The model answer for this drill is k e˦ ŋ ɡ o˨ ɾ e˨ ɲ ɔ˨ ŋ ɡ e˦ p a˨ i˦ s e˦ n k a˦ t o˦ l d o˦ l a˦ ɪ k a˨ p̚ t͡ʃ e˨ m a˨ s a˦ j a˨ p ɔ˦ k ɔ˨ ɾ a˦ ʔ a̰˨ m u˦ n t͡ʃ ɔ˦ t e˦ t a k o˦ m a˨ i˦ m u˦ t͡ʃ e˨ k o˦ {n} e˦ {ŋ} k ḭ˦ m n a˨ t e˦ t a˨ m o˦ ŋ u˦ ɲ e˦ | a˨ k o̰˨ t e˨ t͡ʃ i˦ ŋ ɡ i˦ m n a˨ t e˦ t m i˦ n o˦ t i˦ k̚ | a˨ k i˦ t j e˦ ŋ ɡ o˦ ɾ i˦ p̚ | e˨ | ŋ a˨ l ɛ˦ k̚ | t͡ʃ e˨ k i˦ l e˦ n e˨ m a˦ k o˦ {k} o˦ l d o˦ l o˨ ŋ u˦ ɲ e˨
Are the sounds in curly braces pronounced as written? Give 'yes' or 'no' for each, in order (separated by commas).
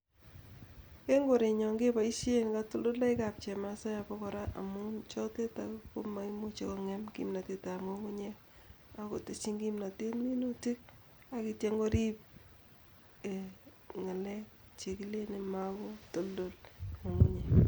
no, no, no